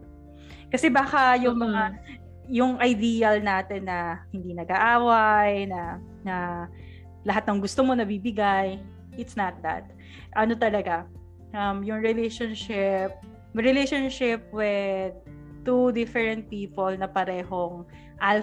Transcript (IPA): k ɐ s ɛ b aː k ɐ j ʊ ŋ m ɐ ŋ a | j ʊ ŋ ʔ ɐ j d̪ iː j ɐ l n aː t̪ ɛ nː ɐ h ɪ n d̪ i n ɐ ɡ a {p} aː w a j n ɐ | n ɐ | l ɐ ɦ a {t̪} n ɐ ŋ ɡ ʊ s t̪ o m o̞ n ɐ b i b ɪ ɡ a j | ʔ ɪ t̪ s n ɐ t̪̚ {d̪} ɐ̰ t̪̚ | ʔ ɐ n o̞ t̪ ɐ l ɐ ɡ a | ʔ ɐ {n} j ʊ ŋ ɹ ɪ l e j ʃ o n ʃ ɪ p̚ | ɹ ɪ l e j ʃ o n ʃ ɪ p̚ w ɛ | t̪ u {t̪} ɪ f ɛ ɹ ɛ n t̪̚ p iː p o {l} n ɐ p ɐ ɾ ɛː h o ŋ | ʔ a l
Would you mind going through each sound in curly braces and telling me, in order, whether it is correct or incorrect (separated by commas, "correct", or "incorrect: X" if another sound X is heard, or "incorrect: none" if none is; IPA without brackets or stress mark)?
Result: incorrect: ʔ, correct, correct, incorrect: m, incorrect: d̪, correct